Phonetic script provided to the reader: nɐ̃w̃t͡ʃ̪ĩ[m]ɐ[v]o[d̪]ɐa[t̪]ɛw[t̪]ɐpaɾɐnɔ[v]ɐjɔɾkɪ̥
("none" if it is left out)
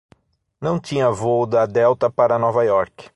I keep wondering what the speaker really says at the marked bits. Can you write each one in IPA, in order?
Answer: ɲ, v, d̪, d̪, t̪, v

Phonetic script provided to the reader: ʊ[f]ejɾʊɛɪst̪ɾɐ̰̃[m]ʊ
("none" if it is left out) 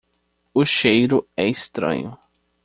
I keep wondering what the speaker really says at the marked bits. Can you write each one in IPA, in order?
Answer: ʃ, ɲ

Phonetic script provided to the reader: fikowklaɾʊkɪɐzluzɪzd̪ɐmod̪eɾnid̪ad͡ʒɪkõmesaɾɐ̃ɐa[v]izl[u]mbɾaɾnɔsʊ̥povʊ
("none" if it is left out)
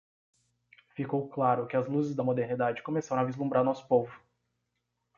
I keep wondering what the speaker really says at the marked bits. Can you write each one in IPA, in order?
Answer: v, ũ

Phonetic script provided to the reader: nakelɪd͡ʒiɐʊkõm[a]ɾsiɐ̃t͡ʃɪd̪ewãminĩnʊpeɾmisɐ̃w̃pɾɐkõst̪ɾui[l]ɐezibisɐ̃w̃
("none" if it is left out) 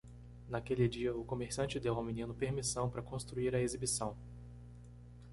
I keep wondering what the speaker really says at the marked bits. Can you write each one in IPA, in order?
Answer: e, ɾ

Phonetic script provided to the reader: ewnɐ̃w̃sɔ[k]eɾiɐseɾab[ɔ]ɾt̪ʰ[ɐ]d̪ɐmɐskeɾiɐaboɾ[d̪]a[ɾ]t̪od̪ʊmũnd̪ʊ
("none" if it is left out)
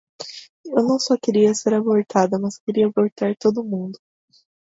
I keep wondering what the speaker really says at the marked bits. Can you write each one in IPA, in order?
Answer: k, o, a, t̪, ɾ

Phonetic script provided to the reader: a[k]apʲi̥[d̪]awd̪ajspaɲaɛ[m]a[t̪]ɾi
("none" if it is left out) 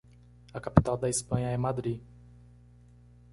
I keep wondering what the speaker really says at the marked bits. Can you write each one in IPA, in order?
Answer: k, t̪, m, d̪

